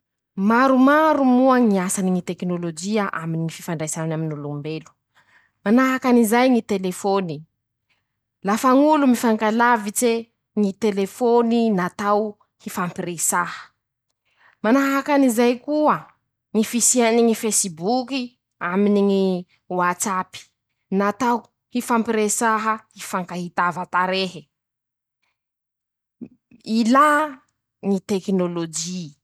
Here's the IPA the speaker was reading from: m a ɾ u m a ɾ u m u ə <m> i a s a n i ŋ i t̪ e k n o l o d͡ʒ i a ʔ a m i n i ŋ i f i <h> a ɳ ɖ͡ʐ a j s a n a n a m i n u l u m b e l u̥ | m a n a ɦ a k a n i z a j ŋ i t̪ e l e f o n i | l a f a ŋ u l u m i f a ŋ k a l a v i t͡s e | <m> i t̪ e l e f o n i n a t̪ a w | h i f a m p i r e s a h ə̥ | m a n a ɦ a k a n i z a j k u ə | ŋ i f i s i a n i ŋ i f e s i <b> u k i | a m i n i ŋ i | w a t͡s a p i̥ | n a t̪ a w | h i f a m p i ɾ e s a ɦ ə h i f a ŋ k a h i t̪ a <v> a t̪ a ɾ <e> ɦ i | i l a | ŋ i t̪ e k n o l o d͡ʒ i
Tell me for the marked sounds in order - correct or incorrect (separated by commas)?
incorrect, incorrect, incorrect, correct, correct, correct